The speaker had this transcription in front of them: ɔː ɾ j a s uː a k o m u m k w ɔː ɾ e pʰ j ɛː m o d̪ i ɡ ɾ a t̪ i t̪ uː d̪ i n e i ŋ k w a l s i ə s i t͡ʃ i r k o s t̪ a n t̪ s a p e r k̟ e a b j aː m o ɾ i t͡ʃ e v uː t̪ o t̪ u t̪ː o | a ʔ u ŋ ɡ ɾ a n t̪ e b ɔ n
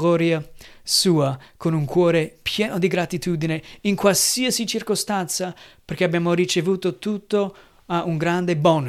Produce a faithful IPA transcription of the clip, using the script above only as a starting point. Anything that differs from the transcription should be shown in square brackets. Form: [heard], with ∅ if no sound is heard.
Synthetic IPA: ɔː ɾ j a s uː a k o [n] u [ŋ] k w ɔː ɾ e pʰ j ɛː [n] o d̪ i ɡ ɾ a t̪ i t̪ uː d̪ i n e i ŋ k w a l s i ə s i t͡ʃ i r k o s t̪ a n t̪ s a p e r k̟ e a b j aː m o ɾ i t͡ʃ e v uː t̪ o t̪ u t̪ː o | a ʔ u ŋ ɡ ɾ a n [d̪] e b ɔ n